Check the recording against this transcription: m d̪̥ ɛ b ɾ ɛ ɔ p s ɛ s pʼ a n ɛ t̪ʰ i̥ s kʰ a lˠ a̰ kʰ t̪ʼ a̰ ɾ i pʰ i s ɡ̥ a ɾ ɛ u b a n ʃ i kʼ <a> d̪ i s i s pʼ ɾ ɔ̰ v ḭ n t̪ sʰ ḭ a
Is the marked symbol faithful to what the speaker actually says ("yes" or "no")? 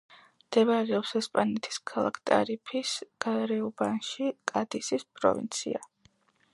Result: yes